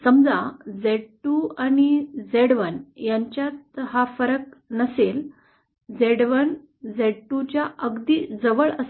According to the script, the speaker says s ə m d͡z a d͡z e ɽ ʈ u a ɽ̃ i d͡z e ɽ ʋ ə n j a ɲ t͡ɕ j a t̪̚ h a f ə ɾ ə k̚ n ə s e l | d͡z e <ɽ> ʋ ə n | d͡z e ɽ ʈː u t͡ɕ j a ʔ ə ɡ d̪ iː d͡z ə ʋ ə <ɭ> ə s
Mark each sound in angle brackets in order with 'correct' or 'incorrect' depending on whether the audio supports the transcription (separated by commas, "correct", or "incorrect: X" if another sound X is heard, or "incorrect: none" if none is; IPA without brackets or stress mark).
correct, correct